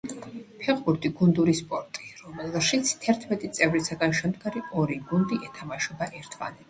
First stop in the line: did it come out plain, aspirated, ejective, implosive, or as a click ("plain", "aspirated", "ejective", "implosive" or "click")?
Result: aspirated